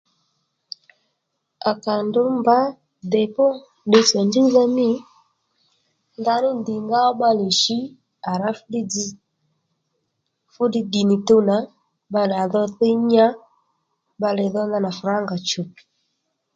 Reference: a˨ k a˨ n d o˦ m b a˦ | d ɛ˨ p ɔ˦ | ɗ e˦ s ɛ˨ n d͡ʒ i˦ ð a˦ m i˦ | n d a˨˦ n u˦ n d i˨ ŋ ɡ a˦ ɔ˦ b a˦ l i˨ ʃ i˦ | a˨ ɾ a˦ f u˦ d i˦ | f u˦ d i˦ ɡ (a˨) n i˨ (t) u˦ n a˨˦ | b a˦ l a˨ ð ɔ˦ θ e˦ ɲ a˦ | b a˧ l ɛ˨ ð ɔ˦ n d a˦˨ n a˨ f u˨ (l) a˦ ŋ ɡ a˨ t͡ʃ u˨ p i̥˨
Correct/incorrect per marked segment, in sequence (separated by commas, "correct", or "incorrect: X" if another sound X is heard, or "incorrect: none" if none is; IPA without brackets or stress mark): incorrect: i˨, correct, incorrect: ɾ